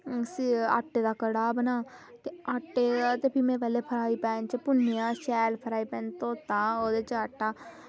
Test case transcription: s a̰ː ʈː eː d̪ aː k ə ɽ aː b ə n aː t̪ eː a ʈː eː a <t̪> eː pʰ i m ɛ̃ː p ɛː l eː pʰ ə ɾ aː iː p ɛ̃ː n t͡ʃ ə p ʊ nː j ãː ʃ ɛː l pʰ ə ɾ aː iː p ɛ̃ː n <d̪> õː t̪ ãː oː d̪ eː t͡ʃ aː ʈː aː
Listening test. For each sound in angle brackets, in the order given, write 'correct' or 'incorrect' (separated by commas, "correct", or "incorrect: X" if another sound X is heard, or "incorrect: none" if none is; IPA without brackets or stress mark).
correct, incorrect: t̪